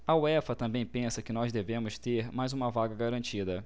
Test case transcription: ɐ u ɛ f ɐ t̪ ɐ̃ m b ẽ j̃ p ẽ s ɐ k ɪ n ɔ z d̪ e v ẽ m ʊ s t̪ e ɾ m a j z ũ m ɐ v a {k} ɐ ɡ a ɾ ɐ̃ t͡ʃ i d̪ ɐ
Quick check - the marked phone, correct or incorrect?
incorrect